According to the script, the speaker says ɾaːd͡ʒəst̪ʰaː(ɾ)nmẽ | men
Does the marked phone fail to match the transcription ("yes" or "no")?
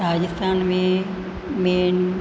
yes